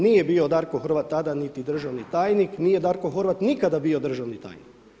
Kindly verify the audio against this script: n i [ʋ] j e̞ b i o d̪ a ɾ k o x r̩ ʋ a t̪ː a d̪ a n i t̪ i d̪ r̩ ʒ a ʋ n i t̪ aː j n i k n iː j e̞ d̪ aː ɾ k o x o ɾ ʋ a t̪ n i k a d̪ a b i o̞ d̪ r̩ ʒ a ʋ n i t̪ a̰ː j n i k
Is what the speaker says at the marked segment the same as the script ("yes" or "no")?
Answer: no